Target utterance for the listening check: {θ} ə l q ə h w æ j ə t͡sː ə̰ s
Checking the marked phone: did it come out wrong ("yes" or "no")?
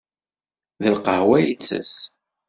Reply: yes